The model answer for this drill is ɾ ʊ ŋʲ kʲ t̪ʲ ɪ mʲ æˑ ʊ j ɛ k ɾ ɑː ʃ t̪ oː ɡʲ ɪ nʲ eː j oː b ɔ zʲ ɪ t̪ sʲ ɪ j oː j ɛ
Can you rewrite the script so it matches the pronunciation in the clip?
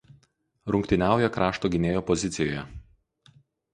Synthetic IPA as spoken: ɾ ʊ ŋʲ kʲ t̪ʲ ɪ nʲ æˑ ʊ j ɛ k ɾ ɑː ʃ t̪ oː ɡʲ ɪ nʲ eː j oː p ɔ zʲ ɪ t̪ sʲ ɪ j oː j ɛ